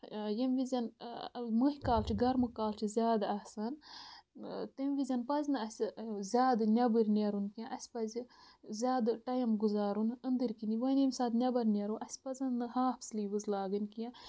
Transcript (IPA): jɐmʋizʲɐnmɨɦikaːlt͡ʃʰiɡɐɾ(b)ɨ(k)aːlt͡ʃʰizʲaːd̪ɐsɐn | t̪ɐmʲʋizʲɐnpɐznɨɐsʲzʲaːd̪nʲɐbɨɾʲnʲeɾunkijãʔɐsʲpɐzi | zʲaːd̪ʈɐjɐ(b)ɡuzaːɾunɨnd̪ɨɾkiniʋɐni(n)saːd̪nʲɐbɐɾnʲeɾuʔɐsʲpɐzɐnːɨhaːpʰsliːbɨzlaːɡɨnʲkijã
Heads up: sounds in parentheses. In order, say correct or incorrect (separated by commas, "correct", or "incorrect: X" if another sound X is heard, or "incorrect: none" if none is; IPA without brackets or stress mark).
incorrect: m, correct, incorrect: m, incorrect: m